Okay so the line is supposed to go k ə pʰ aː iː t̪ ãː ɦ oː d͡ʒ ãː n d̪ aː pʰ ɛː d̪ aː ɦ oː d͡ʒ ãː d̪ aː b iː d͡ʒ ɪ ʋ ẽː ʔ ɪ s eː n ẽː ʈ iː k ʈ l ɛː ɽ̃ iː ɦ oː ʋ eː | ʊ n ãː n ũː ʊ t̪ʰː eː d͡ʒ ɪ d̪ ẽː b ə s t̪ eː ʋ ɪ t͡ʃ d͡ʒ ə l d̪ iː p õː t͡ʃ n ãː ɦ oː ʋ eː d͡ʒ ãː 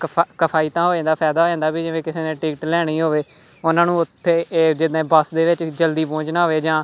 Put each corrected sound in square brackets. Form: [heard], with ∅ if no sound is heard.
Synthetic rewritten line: k ə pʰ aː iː t̪ ãː ɦ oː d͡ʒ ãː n d̪ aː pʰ ɛː d̪ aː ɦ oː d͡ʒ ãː d̪ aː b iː d͡ʒ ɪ ʋ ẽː [k] ɪ s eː n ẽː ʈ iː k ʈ l ɛː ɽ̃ iː ɦ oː ʋ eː | ʊ n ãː n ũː ʊ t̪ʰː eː d͡ʒ ɪ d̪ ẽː b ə s [d̪] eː ʋ ɪ t͡ʃ d͡ʒ ə l d̪ iː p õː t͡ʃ n [aː] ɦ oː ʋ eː d͡ʒ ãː